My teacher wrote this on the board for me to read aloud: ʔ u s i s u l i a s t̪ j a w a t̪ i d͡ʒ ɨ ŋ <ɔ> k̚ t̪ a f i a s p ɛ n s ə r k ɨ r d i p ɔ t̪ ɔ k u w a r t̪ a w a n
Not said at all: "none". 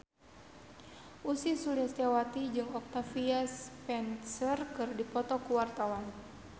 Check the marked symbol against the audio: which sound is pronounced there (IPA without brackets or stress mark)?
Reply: ɔ